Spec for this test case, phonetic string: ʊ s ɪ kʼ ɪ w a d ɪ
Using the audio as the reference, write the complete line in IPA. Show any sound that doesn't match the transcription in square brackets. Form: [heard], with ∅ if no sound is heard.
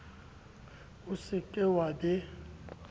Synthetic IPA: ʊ s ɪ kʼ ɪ w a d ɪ